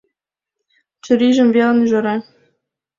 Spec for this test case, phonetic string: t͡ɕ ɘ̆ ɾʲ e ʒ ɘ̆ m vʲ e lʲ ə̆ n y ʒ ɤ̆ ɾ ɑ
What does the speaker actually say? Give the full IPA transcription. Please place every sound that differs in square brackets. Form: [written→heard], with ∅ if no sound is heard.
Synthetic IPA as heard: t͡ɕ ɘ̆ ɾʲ [e→i] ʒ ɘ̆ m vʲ e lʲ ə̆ n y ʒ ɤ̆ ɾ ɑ